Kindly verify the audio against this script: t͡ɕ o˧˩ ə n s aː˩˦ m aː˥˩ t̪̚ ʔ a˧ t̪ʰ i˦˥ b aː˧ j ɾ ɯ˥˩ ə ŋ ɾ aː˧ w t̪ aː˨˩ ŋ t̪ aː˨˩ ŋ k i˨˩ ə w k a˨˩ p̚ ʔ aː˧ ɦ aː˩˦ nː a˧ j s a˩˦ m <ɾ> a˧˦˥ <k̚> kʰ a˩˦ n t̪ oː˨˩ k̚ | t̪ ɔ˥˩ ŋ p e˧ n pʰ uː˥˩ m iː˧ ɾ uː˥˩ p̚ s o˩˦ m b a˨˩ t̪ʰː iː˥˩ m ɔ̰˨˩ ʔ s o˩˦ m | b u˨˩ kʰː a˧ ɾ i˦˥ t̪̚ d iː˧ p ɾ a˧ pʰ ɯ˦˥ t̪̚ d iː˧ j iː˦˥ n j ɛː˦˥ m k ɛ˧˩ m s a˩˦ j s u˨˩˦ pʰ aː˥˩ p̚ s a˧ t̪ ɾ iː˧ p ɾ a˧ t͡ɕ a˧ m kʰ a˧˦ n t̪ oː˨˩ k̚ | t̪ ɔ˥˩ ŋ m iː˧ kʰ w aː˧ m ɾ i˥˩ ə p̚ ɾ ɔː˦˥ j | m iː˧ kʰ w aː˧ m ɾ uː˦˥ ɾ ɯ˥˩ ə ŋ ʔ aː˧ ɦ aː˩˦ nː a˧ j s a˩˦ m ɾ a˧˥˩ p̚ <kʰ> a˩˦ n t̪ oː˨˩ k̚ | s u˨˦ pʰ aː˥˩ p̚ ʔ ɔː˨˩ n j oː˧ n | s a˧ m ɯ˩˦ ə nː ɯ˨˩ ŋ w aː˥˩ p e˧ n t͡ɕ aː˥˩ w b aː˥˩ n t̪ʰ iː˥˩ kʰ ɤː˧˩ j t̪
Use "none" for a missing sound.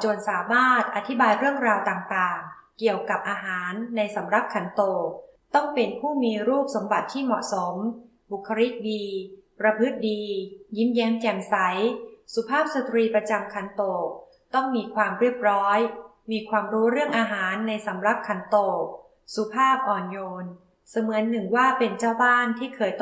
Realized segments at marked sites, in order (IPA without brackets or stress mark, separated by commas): ɾ, p̚, kʰ